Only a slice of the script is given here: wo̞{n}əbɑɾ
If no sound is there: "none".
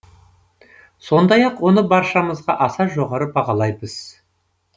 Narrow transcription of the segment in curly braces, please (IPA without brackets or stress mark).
n